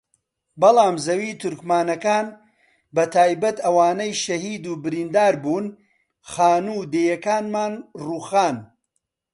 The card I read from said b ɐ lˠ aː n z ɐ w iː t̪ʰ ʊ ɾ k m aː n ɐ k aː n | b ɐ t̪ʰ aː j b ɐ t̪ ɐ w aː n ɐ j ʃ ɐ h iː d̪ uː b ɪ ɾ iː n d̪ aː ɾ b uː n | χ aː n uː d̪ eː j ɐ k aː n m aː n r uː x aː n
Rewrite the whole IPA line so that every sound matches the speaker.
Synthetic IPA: b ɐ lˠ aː m z ɐ w iː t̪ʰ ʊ ɾ k m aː n ɐ k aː n | b ɐ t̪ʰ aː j b ɐ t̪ ɐ w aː n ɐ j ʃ ɐ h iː d̪ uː b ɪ ɾ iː n d̪ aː ɾ b uː n | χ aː n uː d̪ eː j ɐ k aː n m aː n r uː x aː n